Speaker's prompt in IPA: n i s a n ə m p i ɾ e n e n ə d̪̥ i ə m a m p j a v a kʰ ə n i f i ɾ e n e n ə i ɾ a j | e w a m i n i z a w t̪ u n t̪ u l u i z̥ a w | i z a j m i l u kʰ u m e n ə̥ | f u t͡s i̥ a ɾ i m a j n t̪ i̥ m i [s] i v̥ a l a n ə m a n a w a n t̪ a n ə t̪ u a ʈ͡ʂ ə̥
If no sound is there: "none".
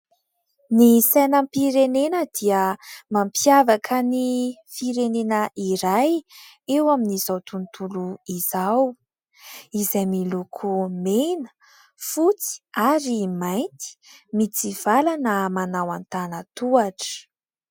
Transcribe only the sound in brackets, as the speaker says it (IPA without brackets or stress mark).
t͡s